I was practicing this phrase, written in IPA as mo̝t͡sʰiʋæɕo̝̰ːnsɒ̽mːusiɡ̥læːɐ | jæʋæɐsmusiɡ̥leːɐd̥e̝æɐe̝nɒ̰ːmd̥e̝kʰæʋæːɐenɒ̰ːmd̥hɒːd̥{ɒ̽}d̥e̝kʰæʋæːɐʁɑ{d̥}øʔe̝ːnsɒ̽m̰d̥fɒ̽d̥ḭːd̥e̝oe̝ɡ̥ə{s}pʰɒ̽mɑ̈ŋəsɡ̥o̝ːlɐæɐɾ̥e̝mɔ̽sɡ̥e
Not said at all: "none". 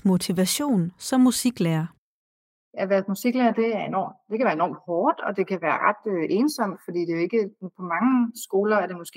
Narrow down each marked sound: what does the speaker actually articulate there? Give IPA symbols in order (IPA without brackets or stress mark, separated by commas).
ɒ̽, d̥, none